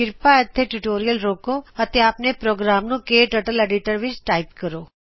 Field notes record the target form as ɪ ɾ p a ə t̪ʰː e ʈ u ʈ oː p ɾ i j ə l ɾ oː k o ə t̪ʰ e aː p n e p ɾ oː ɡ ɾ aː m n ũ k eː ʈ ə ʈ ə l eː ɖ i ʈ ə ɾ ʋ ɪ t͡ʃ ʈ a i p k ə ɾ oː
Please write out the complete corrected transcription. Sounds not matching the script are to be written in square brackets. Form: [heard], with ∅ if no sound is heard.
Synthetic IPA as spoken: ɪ ɾ p a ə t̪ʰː e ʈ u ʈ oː [∅] ɾ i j ə l ɾ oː k o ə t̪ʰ e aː p n e p ɾ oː ɡ ɾ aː m n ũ k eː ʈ ə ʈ ə l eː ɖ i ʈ ə ɾ ʋ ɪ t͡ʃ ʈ a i p k ə ɾ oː